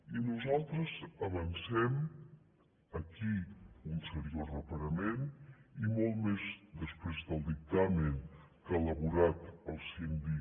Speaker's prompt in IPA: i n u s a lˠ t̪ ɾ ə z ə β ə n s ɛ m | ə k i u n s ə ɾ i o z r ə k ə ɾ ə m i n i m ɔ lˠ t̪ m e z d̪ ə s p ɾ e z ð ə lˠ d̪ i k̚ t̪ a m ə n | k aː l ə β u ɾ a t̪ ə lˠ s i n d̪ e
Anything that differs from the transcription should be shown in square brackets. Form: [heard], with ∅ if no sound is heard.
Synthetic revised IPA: i n u [z] a lˠ t̪ ɾ ə z ə β ə n s ɛ m | ə k i u n s ə ɾ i o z r ə [p] ə ɾ ə m [e] n i m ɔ lˠ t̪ m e z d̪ ə s p ɾ e z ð ə lˠ d̪ i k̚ t̪ a m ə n | k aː l ə β u ɾ a t̪ ə lˠ s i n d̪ [i]